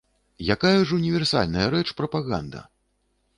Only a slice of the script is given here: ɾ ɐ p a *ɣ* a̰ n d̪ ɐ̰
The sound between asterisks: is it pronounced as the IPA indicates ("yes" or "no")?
yes